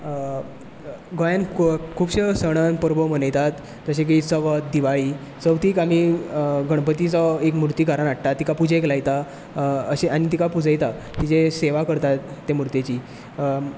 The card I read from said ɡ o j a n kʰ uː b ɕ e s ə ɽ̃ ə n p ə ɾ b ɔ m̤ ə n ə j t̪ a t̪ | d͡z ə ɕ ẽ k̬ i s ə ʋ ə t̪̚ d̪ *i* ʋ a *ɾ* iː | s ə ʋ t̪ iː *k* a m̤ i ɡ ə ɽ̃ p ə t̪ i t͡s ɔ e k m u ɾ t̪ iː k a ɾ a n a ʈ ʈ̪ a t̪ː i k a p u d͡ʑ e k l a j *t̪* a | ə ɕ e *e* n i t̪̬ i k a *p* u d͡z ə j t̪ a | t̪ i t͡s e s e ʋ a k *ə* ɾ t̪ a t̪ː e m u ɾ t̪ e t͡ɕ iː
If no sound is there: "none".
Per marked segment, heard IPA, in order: i, ɭ, k, t̪, a, p, ə

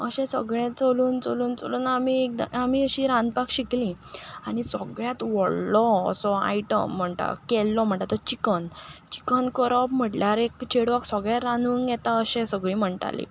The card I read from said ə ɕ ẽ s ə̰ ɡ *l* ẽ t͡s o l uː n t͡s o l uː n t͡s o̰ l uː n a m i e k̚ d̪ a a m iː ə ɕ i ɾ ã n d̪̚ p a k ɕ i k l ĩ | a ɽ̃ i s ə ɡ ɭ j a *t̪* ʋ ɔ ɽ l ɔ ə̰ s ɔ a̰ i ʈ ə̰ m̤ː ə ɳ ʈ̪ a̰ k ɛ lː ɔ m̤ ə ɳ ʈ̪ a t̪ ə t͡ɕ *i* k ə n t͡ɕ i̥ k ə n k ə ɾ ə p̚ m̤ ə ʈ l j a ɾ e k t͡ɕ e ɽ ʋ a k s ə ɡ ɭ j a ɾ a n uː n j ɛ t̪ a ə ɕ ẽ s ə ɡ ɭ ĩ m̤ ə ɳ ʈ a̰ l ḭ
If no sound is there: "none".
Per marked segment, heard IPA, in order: ɭ, t̪, i

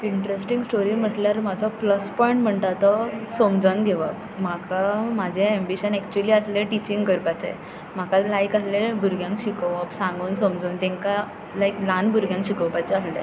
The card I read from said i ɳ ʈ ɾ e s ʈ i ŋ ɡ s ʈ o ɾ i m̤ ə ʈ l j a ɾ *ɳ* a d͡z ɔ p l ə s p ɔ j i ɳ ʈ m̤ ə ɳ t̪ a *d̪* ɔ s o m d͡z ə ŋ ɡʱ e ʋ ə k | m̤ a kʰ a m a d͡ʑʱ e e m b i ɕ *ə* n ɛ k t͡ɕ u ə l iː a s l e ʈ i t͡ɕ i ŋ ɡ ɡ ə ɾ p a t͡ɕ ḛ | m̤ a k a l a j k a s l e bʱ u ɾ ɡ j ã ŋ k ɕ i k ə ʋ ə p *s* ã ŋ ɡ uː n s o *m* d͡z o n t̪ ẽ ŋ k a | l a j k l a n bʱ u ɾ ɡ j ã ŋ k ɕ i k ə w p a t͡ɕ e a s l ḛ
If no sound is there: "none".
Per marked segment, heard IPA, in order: m, t̪, ə, s, m

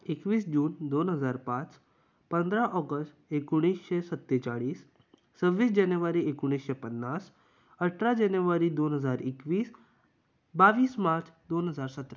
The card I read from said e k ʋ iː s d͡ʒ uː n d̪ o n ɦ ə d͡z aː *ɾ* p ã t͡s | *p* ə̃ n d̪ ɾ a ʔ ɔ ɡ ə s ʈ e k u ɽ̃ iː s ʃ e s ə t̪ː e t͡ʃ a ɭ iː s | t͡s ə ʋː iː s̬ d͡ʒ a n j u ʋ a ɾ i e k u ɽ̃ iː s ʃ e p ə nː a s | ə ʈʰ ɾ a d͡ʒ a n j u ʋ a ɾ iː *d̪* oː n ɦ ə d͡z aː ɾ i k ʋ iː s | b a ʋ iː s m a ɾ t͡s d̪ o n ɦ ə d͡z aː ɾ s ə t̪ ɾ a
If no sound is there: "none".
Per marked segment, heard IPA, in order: ɾ, p, d̪

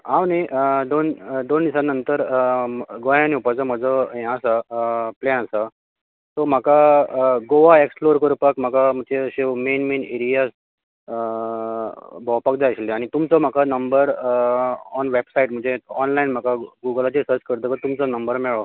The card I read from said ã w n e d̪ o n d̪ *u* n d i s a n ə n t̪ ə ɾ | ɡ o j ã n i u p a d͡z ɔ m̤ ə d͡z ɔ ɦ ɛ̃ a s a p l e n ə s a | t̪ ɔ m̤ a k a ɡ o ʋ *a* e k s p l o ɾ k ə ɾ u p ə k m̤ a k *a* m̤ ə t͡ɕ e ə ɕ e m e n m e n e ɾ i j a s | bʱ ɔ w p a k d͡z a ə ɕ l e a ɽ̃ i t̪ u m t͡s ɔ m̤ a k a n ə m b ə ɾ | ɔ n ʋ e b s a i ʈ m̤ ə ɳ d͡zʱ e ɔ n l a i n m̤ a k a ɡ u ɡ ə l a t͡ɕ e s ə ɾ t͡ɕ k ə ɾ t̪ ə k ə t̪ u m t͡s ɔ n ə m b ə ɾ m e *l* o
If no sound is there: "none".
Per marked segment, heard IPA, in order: o, a, a, ɭ

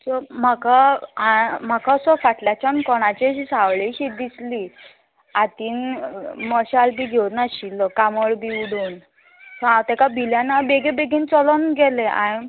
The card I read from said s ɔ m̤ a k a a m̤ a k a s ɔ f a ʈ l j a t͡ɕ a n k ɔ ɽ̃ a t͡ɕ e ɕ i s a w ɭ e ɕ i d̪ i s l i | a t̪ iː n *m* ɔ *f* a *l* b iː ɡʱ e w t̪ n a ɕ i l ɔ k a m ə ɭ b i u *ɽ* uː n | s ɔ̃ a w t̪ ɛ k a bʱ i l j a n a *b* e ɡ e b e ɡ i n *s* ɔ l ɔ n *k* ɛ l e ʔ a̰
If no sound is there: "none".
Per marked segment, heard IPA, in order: m, ɕ, l, ɽ, b, t͡s, ɡ

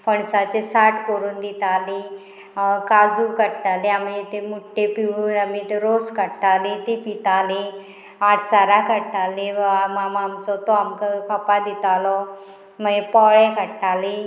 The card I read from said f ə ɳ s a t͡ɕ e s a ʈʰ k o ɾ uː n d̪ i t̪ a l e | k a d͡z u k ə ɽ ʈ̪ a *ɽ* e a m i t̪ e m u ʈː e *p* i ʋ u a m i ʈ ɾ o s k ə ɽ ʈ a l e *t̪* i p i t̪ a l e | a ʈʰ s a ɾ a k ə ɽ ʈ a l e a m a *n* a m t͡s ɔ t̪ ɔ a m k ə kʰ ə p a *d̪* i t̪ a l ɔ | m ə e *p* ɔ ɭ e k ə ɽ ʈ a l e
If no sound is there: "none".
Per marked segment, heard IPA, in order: l, p, t̪, m, d̪, p

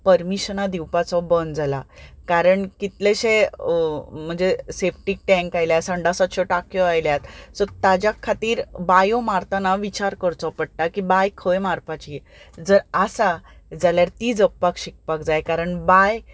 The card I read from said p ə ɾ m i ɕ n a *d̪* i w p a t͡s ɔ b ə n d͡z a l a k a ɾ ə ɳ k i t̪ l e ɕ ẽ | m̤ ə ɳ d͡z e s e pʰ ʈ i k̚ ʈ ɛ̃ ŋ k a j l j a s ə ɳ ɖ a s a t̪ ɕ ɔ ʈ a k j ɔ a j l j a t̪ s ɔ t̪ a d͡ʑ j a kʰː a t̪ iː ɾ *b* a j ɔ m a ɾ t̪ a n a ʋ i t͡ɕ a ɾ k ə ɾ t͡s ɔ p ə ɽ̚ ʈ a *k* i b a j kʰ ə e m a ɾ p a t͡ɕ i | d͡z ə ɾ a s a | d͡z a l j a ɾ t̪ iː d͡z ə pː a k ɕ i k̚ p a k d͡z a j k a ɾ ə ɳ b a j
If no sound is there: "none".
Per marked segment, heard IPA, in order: d̪, b, k

